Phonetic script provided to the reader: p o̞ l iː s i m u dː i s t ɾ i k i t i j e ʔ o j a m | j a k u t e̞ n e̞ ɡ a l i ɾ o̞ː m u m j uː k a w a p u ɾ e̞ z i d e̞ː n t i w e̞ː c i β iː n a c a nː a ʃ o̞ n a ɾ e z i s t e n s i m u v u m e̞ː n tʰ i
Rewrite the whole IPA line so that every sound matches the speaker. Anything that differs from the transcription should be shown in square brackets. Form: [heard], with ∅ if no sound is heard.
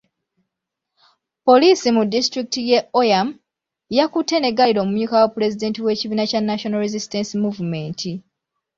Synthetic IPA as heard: p o̞ l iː s i m u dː i s t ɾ i k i t i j e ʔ o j a m | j a k u t e̞ n e̞ ɡ a l i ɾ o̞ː m u m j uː k a w a p u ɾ e̞ z i d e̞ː n t i w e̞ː c i β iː n a c a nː a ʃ o̞ n a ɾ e z i s t e n s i m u v u m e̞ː n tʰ i